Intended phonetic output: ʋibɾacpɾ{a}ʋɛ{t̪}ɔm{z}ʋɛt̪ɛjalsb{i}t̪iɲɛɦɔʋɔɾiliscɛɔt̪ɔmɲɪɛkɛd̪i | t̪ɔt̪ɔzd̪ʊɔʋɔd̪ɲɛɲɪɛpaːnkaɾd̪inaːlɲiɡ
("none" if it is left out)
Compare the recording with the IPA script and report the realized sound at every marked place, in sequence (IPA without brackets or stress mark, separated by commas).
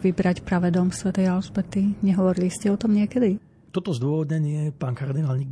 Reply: a, d̪, s, ɛ